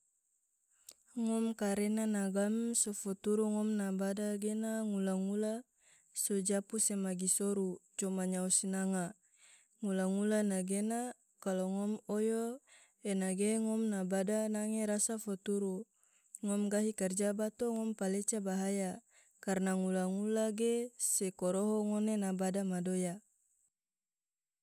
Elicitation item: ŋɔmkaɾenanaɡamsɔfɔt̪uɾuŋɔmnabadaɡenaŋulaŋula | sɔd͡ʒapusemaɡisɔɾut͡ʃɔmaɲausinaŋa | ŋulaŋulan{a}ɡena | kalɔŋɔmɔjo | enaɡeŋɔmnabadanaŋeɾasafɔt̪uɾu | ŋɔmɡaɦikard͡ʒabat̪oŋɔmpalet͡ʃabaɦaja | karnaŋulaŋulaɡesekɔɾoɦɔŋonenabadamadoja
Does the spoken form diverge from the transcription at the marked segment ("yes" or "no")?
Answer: no